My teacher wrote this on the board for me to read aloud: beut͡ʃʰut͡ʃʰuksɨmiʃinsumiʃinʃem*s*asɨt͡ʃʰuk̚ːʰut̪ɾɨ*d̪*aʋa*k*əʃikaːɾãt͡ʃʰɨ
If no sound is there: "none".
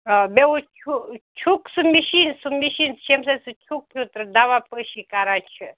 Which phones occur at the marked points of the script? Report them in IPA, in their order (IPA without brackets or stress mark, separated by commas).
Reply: s, d̪, p